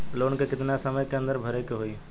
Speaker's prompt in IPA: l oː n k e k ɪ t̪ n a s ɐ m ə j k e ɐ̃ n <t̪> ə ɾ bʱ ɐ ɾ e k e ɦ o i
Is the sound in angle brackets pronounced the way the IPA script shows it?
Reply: no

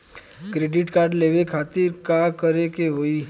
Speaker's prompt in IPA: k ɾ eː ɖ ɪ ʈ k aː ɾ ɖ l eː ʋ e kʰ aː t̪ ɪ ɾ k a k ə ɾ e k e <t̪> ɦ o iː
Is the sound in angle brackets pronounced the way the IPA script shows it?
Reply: no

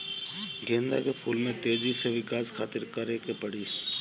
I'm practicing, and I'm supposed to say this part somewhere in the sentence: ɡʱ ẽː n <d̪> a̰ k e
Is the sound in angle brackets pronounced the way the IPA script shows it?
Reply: yes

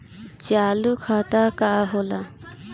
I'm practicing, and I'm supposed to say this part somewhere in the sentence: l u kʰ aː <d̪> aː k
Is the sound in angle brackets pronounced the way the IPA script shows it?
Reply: no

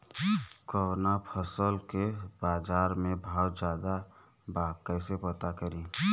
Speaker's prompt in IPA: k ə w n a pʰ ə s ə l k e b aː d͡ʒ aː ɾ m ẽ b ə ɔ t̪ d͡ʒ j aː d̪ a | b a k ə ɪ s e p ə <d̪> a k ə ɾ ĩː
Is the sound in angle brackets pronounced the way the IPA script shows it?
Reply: no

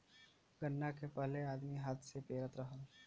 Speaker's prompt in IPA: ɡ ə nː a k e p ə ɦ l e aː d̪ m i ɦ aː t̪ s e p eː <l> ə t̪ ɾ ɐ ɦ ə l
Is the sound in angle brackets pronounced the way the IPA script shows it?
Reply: no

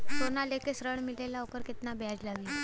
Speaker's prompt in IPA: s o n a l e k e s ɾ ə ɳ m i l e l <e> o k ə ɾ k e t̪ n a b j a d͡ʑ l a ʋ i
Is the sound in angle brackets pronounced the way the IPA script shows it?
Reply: no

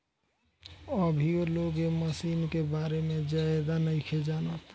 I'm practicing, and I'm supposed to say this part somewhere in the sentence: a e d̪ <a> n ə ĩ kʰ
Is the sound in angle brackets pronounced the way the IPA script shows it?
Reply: yes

